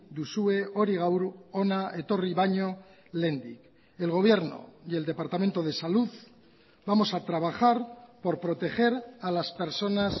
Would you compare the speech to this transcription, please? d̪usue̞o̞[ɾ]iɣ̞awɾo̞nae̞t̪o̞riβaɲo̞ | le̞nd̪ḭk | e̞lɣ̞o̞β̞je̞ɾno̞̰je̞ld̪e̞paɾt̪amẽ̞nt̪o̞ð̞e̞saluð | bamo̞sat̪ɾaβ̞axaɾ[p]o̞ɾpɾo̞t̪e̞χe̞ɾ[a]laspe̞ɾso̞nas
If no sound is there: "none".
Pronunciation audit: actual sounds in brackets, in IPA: ɾ, p, a

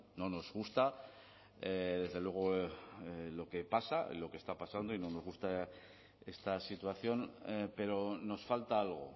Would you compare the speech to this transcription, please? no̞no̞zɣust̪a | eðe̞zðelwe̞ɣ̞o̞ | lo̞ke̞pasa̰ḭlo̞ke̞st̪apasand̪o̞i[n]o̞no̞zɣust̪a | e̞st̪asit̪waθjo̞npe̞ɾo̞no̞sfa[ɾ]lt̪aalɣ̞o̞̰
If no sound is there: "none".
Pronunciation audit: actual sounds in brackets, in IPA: n, none

